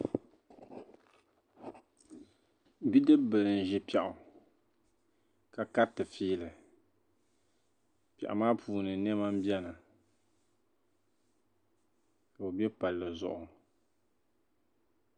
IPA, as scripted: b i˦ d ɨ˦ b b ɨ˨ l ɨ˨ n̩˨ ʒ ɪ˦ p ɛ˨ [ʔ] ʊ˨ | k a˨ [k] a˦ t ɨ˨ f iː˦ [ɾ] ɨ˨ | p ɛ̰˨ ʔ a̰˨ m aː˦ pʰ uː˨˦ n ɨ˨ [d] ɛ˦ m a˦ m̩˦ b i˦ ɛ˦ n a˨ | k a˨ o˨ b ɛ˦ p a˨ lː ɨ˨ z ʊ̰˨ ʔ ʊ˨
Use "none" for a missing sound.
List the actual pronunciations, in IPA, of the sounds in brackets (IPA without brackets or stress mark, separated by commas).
ʔ, k, l, n